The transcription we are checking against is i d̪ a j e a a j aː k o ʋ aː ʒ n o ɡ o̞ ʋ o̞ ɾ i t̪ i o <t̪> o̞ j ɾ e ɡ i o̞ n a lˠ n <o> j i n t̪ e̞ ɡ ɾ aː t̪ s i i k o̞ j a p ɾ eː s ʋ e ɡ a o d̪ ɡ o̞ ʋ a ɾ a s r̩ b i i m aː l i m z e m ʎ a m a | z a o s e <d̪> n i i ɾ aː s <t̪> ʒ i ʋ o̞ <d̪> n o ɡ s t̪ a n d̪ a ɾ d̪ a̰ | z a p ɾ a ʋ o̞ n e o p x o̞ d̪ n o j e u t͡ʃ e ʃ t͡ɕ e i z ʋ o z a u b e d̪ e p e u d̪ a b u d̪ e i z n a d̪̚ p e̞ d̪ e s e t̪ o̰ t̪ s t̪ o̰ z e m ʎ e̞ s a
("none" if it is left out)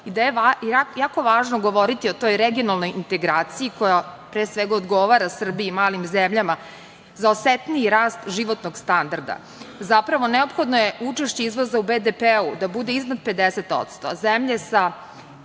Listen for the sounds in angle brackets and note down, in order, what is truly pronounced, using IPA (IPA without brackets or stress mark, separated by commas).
t̪, o, t̪, t̪, t̪